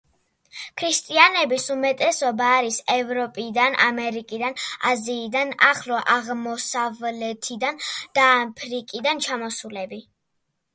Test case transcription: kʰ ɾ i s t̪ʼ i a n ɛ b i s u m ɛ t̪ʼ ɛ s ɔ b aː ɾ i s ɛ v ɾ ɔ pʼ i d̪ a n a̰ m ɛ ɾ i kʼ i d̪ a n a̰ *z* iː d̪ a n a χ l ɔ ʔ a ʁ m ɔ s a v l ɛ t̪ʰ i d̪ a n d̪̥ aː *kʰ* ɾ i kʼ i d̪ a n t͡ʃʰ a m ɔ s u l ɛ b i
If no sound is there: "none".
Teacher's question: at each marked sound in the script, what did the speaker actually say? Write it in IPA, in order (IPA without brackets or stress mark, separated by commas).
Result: z, pʰ